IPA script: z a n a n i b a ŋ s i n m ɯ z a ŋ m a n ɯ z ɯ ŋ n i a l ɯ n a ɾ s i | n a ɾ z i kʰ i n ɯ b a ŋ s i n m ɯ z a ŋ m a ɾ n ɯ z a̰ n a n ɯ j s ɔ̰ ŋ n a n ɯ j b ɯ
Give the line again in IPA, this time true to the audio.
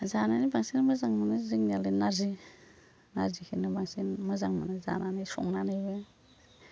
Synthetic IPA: z a n a n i b a ŋ s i n m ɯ z a ŋ m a n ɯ z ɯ ŋ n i a l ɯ n a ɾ z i | n a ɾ z i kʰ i n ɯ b a ŋ s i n m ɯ z a ŋ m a n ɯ z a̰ n a n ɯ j s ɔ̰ ŋ n a n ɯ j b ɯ